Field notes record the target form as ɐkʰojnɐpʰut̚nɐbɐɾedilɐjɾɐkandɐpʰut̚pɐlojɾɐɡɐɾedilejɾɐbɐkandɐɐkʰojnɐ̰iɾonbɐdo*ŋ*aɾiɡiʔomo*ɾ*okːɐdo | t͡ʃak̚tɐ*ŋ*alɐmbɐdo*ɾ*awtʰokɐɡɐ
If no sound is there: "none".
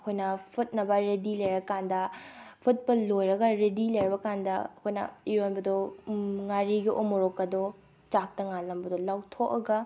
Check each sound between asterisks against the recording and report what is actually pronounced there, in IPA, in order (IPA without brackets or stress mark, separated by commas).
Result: ŋ, ɾ, ŋ, l